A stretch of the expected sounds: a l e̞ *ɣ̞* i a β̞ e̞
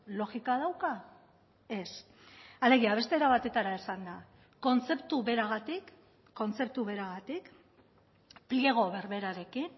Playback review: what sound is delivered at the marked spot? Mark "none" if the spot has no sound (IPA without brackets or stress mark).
ɣ̞